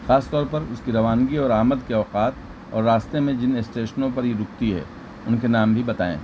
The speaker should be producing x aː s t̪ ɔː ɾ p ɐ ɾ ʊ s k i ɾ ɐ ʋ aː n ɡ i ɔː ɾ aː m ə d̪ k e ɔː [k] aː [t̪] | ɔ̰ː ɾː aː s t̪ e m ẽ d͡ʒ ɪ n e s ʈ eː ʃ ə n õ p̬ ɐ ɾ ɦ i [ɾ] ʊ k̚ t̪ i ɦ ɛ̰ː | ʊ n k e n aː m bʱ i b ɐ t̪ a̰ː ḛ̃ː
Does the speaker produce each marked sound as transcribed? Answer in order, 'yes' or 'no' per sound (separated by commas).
no, yes, yes